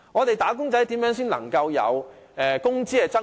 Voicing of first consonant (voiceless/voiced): voiced